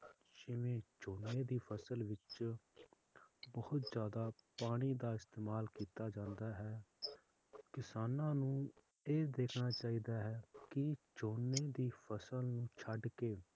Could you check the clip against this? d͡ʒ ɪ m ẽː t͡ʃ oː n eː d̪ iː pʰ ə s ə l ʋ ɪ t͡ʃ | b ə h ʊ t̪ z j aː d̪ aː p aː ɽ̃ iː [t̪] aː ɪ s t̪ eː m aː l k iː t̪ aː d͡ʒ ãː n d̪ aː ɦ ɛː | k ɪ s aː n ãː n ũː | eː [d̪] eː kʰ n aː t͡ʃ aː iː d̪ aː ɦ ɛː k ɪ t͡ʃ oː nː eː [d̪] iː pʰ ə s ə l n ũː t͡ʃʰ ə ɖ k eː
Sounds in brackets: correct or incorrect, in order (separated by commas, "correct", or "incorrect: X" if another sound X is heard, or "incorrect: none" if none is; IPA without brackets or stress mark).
incorrect: d̪, correct, correct